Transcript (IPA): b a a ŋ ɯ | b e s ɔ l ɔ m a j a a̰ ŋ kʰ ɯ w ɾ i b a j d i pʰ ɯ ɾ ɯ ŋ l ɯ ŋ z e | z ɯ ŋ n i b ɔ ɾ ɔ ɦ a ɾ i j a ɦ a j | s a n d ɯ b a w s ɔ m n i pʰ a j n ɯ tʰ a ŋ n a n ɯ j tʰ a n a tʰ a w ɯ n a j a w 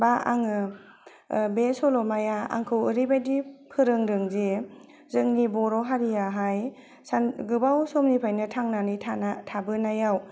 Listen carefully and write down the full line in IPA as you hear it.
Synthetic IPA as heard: b a a ŋ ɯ | b e s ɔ l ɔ m a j a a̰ ŋ kʰ ɯ w ɾ i b a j d i pʰ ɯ ɾ ɯ ŋ ɾ ɯ ŋ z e | z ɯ ŋ n i b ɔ ɾ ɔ ɦ a ɾ i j a ɦ a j | s a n ɡ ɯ b a w s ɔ m n i pʰ a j n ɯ tʰ a ŋ n a n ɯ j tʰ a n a tʰ a b ɯ n a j a w